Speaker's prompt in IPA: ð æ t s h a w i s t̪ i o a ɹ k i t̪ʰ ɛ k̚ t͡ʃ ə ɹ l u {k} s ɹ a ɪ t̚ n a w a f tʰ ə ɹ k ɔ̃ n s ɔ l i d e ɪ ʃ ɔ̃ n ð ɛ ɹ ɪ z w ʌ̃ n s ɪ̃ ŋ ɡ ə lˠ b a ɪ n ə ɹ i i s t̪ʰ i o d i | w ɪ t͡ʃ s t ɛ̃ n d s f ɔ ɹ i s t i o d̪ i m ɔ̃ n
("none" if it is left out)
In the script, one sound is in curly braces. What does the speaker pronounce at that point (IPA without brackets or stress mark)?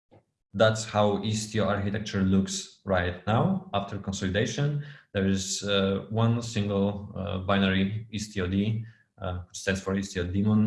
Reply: k